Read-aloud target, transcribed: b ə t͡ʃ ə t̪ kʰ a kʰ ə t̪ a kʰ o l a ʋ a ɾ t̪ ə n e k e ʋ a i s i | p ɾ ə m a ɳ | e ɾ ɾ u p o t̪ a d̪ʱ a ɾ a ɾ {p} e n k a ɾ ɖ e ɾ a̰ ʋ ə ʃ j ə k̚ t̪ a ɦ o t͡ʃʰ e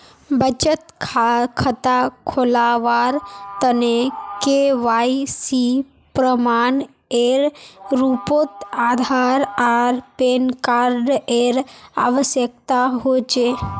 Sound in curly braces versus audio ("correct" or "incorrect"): correct